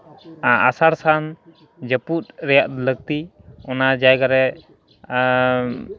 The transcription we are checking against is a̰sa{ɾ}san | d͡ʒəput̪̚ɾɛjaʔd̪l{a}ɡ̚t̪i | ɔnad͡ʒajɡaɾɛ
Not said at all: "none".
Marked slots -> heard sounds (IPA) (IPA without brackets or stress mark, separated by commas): ɾ, ə